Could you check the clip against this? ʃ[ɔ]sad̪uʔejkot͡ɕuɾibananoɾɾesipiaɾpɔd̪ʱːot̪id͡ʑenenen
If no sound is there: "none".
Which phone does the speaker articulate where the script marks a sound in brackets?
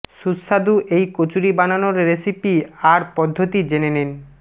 u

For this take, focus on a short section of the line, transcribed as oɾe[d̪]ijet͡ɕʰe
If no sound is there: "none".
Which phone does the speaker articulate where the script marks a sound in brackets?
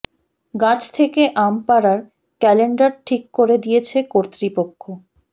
d̪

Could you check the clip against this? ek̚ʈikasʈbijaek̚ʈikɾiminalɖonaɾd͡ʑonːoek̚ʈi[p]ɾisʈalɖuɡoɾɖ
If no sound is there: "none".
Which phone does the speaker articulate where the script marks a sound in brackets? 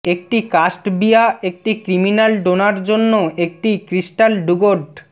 k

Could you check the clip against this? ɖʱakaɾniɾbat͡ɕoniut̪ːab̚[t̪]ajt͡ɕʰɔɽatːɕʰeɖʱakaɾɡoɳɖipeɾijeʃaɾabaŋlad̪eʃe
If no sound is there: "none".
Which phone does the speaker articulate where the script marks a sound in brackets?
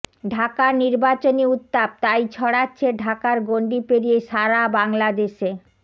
t̪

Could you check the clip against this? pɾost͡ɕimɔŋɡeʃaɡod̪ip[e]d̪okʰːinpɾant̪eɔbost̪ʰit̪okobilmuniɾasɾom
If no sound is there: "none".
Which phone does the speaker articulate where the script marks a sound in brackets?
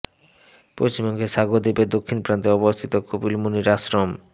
e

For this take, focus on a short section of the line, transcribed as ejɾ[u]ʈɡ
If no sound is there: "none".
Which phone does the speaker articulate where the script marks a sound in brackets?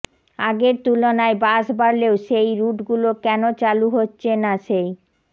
u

